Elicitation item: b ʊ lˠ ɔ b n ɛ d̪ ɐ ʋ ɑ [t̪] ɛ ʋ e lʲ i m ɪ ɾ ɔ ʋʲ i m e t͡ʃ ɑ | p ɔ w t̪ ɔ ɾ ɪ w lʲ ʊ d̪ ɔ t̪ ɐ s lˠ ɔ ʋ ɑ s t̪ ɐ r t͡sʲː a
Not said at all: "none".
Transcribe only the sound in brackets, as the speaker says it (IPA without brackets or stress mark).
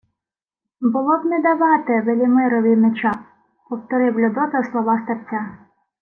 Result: t̪